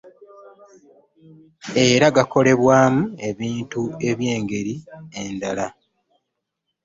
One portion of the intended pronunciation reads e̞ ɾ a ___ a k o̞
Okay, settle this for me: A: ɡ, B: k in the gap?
A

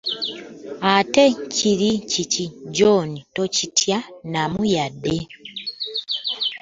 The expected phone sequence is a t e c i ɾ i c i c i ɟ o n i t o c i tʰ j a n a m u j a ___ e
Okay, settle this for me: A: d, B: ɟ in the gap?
A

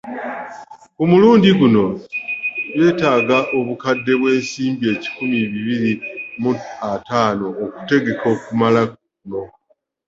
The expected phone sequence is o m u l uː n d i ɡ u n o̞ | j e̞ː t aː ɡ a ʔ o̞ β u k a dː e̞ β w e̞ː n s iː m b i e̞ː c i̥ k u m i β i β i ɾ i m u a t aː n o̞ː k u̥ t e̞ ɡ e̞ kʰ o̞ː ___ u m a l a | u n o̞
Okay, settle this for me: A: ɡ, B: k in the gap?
B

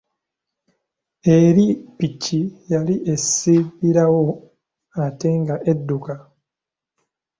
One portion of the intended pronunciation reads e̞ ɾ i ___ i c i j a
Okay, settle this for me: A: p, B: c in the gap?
A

